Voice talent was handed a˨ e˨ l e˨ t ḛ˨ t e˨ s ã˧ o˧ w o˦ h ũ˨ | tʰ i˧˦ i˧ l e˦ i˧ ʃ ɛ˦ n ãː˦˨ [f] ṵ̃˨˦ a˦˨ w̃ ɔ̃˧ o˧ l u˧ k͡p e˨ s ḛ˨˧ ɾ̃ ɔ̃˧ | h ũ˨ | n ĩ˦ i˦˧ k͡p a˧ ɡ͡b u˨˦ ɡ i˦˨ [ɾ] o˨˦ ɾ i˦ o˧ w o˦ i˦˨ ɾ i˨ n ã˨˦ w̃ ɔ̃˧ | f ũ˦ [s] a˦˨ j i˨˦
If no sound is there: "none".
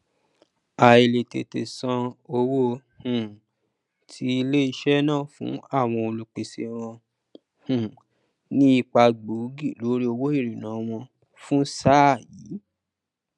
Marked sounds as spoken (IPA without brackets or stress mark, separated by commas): f, l, s